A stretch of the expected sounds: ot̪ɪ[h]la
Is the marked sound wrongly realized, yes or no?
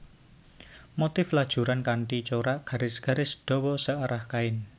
yes